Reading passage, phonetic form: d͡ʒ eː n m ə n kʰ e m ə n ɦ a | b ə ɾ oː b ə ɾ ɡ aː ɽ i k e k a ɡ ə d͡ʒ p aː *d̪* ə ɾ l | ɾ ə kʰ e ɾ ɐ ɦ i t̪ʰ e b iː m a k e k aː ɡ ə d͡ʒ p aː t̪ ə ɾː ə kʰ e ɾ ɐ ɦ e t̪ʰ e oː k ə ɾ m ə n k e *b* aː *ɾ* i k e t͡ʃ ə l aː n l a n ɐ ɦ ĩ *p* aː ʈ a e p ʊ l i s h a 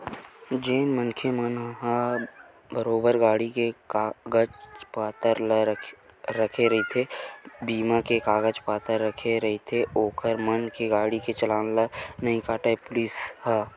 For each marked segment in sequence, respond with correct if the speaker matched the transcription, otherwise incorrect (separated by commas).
incorrect, incorrect, incorrect, incorrect